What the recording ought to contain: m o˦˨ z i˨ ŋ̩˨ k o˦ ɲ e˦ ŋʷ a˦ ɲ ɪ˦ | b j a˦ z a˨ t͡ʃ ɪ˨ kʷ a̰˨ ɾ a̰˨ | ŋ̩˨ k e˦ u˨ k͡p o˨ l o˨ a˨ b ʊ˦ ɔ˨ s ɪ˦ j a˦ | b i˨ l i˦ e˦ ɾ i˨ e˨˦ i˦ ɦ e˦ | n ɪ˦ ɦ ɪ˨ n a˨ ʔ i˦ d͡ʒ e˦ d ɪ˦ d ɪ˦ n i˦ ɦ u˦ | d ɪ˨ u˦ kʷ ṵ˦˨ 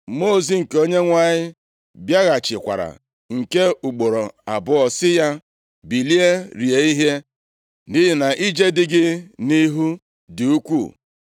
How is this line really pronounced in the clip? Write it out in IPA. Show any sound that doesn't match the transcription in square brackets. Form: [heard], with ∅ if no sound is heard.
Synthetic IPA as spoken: m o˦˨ z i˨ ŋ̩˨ k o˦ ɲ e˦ ŋʷ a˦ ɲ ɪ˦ | b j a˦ [ɣ] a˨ t͡ʃ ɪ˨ kʷ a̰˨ ɾ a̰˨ | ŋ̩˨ k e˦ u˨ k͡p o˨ [ɾ] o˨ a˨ b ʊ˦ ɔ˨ s ɪ˦ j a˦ | b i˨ l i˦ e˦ ɾ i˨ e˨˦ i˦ ɦ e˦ | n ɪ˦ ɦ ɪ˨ n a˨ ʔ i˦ d͡ʒ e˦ d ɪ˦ [ɡ] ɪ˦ n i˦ ɦ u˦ | d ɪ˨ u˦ kʷ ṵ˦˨